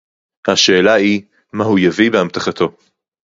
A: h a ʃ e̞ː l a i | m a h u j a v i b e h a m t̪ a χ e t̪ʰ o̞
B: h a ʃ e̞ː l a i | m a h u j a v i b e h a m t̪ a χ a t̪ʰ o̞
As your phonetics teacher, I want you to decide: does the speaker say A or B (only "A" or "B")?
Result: B